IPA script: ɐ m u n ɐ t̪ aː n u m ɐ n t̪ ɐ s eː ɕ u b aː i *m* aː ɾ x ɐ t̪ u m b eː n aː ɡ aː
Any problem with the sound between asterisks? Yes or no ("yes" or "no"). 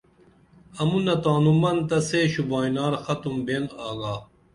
yes